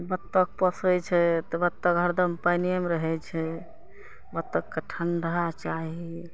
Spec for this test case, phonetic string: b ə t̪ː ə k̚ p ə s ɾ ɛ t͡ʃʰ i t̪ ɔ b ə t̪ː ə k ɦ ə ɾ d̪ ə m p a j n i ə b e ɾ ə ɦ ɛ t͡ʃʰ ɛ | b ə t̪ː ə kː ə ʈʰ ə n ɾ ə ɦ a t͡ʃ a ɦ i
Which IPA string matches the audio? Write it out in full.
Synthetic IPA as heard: b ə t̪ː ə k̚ p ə s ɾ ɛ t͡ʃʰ ɛ t̪ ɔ b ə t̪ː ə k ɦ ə ɾ d̪ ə m p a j n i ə m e ɾ ə ɦ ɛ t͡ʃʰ ɛ | b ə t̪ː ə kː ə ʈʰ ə n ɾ ə ɦ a t͡ʃ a ɦ i